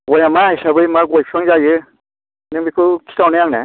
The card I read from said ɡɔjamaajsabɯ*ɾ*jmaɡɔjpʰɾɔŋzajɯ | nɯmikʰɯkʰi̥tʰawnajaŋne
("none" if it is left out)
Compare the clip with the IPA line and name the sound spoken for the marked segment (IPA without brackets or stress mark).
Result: none